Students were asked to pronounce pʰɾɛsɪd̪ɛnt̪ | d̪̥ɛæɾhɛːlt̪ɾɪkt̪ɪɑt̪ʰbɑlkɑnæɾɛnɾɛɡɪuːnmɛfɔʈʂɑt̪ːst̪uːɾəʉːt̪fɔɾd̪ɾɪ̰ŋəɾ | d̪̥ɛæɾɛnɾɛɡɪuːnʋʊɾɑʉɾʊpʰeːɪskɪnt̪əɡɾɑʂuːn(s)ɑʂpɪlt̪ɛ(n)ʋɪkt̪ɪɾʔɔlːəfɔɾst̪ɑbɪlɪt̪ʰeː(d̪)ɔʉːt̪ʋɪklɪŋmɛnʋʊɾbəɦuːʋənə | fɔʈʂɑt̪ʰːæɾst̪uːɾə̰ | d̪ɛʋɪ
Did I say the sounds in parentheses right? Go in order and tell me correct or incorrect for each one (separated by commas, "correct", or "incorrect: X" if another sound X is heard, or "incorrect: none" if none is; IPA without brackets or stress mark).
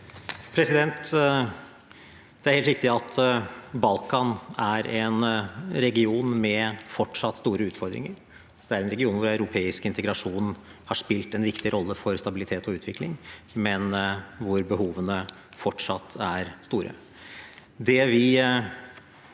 incorrect: h, correct, incorrect: t̪